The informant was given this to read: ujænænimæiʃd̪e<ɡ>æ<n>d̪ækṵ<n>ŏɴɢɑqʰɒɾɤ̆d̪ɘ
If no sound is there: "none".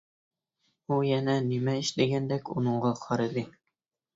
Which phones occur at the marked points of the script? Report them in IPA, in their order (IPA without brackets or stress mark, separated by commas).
ɡ, n, n